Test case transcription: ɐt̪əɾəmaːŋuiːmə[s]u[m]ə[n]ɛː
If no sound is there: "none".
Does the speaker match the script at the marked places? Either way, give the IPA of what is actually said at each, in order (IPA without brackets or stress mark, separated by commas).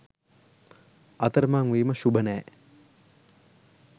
ʃ, b, n